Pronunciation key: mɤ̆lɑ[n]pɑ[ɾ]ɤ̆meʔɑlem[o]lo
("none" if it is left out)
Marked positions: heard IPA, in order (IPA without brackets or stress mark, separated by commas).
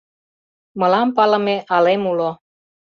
m, l, u